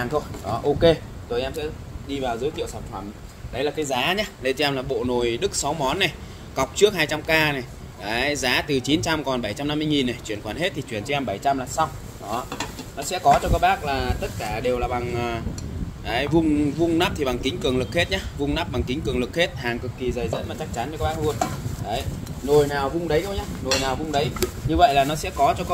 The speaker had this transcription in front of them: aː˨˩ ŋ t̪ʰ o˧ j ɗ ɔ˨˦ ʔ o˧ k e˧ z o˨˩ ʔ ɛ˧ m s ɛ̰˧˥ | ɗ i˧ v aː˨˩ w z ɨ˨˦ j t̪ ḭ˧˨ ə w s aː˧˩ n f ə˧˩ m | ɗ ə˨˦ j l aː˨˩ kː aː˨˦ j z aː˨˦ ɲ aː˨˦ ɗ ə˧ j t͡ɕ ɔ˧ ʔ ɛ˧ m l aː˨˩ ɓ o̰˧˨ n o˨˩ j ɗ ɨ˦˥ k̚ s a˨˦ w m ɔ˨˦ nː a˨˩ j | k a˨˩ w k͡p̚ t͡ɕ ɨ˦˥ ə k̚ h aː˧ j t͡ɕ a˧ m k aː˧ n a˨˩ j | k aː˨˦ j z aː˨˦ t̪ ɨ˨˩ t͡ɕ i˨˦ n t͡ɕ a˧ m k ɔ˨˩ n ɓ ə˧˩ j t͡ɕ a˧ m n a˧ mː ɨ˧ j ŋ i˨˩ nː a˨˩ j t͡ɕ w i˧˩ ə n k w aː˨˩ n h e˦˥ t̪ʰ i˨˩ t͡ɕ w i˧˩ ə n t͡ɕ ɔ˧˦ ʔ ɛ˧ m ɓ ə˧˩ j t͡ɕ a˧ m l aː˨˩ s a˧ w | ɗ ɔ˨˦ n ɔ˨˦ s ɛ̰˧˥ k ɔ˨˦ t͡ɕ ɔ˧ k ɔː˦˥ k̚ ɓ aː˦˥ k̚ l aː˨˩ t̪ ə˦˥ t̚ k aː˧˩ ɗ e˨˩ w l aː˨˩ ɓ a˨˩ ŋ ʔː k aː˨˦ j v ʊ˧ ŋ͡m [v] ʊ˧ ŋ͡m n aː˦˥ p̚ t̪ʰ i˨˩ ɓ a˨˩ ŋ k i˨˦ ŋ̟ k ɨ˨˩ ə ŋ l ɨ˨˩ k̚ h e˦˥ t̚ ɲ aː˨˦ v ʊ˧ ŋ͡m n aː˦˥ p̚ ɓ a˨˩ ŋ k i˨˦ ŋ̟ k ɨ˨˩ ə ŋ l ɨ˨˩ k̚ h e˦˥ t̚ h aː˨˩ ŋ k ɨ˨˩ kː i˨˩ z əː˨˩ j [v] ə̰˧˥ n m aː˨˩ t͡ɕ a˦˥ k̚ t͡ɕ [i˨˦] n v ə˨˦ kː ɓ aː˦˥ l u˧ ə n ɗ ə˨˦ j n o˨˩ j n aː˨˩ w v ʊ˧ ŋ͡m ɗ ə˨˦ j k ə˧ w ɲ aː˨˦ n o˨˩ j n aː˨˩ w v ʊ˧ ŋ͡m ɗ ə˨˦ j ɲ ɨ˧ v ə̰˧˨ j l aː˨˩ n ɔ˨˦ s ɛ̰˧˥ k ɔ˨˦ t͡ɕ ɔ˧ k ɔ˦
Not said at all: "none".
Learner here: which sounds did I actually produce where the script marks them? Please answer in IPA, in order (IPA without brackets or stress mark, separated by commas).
v, z, a˨˦